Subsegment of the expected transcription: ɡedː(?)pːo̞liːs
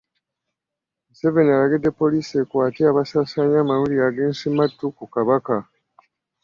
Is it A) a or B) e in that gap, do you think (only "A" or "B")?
B